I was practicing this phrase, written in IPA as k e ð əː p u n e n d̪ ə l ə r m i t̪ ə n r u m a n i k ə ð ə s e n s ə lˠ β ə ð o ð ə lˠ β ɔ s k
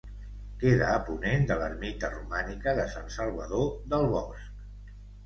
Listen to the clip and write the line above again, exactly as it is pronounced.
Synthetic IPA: k e ð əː p u n e n d̪ ə l ə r m i t̪ ə r u m a n i k ə ð ə s a n s ə lˠ β ə ð o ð ə lˠ β ɔ s k